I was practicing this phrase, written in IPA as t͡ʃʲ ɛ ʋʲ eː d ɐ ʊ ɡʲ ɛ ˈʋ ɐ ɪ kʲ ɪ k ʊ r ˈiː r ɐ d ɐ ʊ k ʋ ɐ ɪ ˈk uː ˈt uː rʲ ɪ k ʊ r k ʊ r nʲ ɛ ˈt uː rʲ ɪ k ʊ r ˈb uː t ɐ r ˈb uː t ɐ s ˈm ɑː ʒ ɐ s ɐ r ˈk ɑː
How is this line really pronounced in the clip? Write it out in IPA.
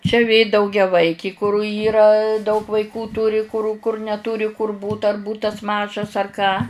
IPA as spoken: t͡ʃʲ ɛ ʋʲ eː d ɐ ʊ ɡʲ ɛ ˈʋ ɐ ɪ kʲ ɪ k ʊ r ˈiː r ɐ d ɐ ʊ k ʋ ɐ ɪ ˈk uː ˈt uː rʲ ɪ k ʊ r k ʊ r nʲ ɛ ˈt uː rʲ ɪ k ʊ r ˈb uː t ɐ r ˈb uː t ɐ s ˈm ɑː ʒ ɐ s ɐ r ˈk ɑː